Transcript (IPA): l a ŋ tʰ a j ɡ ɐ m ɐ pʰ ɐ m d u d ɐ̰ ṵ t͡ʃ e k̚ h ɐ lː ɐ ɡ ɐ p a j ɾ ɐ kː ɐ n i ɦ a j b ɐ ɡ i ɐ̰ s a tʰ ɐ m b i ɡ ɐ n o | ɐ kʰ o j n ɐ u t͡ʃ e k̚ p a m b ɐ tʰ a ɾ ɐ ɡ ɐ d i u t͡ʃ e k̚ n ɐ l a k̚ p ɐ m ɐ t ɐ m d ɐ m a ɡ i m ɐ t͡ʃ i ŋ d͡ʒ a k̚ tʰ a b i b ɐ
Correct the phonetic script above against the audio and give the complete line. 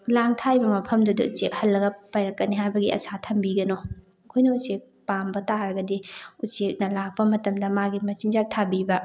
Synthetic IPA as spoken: l a ŋ tʰ a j b ɐ m ɐ pʰ ɐ m d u d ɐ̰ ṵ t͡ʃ e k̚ h ɐ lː ɐ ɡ ɐ p a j ɾ ɐ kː ɐ n i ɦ a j b ɐ ɡ i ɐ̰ s a tʰ ɐ m b i ɡ ɐ n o | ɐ kʰ o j n ɐ u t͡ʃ e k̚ p a m b ɐ t a ɾ ɐ ɡ ɐ d i u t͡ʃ e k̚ n ɐ l a k̚ p ɐ m ɐ t ɐ m d ɐ m a ɡ i m ɐ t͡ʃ i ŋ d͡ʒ a k̚ tʰ a b i b ɐ